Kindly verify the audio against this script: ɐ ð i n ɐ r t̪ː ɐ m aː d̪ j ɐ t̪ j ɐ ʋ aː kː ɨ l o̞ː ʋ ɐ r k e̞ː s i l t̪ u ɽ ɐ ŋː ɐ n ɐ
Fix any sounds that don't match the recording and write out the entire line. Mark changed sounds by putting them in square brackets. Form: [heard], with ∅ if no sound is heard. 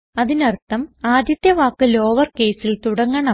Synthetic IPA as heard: ɐ ð i n ɐ r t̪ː ɐ m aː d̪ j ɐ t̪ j ɐ ʋ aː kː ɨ l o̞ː ʋ ɐ r k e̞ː s i l t̪ u ɽ ɐ ŋː ɐ [ɳ] ɐ